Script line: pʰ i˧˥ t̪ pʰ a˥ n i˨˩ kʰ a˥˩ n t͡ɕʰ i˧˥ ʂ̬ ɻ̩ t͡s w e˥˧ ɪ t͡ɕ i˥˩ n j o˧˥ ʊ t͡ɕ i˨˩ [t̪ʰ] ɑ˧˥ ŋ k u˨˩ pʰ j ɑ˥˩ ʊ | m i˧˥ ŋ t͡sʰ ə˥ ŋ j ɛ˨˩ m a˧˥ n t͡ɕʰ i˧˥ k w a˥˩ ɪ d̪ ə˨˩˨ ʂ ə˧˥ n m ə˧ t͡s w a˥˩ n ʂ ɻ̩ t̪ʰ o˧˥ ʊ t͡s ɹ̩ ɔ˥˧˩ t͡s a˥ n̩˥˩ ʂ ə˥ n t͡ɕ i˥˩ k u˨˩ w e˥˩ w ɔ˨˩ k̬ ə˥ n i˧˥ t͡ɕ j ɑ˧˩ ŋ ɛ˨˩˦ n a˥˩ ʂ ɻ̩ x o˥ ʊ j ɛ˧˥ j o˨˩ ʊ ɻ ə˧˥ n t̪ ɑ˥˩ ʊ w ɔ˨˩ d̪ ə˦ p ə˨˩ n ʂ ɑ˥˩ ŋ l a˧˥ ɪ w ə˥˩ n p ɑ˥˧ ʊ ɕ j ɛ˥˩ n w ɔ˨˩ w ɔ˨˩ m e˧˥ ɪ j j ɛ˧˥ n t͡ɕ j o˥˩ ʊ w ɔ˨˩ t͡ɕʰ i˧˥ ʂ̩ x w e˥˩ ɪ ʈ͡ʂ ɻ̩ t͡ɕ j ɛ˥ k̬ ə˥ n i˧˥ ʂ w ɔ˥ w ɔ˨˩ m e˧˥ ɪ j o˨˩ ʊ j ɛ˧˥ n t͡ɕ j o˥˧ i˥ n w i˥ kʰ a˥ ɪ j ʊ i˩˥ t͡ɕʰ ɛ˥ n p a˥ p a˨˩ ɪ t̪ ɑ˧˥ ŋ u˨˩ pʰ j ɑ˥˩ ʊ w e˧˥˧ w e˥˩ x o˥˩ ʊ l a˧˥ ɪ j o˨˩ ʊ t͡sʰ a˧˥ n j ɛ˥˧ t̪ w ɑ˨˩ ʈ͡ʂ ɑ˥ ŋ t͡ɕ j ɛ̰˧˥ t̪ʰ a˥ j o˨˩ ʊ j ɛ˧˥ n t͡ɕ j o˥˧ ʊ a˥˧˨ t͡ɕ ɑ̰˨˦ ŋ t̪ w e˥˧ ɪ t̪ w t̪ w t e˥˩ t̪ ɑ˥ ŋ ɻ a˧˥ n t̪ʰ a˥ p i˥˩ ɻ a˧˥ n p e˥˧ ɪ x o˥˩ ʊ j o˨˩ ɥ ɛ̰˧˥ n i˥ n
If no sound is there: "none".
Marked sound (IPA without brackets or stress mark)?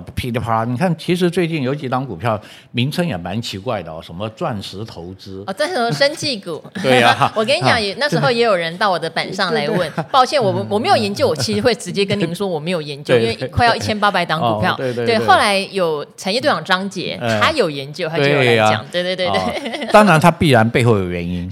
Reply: t̪